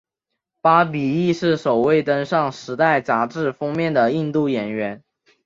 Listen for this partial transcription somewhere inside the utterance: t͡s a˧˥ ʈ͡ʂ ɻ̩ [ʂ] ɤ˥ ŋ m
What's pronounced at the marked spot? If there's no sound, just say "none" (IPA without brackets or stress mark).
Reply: f